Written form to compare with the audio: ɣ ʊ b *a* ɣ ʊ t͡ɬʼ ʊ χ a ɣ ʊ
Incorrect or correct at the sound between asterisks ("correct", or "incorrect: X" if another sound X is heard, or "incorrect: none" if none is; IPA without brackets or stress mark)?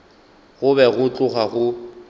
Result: incorrect: ɛ